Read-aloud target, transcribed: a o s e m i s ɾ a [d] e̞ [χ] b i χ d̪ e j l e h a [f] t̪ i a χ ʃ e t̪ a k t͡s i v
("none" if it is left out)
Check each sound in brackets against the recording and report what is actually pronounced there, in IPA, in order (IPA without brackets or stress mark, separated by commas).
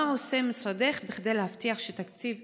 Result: d, χ, f